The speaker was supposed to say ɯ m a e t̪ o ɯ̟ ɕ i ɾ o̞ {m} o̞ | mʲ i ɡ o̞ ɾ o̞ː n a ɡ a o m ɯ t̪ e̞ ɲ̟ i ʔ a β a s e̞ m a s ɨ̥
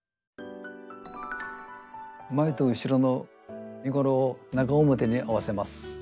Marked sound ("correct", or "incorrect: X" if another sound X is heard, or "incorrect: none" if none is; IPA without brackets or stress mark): incorrect: n